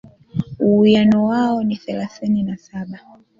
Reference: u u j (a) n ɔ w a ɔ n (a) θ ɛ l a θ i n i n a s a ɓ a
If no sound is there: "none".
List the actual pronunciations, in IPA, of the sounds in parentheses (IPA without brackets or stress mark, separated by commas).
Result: a, i